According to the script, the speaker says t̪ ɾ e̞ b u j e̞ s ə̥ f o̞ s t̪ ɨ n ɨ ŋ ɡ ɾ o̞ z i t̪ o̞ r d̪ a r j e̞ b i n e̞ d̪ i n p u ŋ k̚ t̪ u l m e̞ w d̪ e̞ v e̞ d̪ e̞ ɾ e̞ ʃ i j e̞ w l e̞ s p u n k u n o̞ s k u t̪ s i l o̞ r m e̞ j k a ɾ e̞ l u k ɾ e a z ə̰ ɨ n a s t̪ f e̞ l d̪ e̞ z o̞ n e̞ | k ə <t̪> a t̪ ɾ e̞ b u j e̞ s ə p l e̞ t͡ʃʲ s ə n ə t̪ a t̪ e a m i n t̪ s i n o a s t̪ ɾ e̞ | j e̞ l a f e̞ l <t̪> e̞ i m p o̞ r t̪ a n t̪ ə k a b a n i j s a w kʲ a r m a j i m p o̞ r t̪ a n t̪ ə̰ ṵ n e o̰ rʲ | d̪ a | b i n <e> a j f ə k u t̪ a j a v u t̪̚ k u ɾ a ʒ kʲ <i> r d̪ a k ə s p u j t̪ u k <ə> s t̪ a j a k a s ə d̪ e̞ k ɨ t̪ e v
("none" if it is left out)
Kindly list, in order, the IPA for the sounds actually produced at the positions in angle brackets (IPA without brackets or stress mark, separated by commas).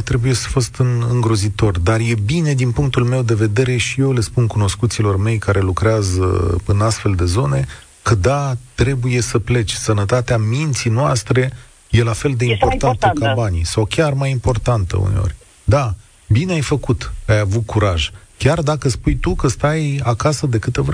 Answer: d̪, d̪, e, a, ə